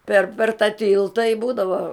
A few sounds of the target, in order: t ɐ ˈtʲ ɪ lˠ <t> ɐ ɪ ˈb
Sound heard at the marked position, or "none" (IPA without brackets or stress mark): t